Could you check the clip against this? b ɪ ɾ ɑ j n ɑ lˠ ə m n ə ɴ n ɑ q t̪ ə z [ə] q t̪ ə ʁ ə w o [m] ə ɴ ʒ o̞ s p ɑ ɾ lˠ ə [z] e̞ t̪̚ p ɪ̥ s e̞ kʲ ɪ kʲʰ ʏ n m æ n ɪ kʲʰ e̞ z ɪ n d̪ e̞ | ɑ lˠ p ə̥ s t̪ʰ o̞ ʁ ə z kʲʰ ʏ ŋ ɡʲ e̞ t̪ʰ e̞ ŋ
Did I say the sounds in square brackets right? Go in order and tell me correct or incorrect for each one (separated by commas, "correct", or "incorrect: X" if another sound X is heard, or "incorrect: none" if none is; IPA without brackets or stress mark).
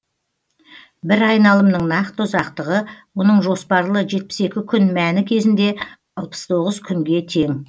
incorrect: ɑ, incorrect: n, incorrect: ʒ